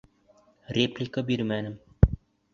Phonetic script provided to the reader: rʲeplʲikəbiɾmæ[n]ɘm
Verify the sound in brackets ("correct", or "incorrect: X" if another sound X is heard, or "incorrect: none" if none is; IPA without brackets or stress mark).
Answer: correct